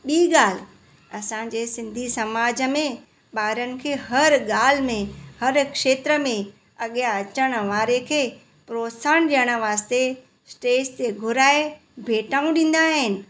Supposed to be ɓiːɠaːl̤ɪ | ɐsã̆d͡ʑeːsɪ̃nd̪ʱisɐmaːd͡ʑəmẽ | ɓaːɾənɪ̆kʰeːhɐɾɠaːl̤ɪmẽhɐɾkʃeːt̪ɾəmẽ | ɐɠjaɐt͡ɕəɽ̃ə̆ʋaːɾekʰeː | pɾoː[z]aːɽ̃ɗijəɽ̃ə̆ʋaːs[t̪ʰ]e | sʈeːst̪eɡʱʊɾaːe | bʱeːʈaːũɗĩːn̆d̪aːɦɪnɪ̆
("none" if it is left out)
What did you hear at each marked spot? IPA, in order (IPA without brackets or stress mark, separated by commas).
s, t̪